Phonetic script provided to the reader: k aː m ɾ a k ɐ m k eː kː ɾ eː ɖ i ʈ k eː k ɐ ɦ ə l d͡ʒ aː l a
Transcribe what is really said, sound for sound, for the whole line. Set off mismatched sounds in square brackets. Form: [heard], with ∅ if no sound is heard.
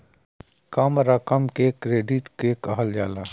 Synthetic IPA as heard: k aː m ɾ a k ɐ m k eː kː ɾ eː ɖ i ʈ k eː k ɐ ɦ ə l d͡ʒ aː l a